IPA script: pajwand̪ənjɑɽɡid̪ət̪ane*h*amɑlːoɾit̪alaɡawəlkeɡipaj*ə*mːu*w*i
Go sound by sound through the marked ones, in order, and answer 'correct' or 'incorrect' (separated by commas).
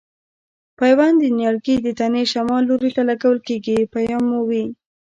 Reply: incorrect, incorrect, correct